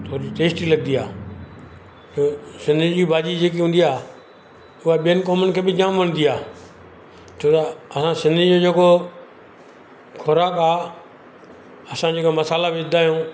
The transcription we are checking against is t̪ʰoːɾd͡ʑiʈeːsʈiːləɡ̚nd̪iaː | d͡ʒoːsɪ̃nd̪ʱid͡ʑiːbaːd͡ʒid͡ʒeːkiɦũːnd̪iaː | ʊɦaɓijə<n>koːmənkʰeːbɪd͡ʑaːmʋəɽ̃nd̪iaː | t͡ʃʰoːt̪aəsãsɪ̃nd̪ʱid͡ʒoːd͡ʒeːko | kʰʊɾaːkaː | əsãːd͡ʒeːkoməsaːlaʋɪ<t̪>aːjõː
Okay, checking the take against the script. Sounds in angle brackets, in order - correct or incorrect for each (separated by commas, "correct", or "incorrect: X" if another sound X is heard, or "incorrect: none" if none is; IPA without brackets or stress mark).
correct, incorrect: d̪